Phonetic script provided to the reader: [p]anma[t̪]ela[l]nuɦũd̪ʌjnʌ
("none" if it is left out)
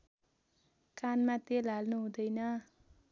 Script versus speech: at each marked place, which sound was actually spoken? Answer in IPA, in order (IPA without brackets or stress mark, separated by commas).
k, t̪, l